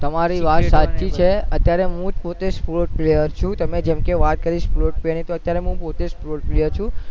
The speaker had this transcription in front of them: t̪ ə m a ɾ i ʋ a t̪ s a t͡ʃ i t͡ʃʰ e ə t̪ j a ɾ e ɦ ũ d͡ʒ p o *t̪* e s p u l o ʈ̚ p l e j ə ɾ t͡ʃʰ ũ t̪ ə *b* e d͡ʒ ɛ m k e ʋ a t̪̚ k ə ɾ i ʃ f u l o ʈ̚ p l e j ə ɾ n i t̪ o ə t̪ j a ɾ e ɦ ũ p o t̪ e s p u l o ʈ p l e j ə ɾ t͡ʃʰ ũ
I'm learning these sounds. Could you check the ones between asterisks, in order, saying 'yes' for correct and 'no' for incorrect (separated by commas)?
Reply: yes, no